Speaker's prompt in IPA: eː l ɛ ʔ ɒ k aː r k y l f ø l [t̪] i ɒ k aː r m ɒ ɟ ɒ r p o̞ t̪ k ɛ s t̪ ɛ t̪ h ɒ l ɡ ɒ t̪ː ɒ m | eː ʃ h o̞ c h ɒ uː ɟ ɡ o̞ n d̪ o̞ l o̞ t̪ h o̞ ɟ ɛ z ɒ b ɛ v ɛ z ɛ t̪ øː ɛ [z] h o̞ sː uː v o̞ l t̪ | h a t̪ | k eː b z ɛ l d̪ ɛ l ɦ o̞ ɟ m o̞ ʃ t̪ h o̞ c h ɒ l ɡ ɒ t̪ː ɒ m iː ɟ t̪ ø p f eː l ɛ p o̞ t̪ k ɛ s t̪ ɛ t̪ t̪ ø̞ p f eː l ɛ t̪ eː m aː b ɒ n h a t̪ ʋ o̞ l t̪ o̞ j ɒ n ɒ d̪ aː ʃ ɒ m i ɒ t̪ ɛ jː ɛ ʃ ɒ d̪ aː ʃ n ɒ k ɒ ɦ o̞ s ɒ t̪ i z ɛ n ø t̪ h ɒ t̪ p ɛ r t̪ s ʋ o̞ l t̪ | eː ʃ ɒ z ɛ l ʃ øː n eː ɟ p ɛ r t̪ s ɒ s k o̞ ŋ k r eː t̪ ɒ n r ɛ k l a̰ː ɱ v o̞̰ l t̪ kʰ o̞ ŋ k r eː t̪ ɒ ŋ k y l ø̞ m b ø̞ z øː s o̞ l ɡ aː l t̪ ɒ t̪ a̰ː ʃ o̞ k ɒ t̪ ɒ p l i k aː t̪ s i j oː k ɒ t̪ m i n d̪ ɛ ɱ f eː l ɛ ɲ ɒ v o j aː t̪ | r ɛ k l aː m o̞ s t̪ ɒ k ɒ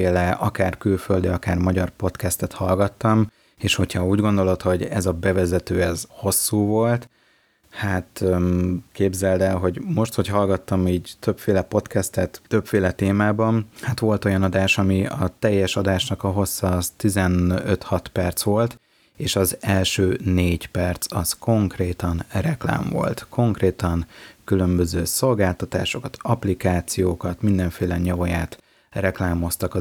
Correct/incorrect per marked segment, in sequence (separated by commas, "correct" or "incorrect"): incorrect, correct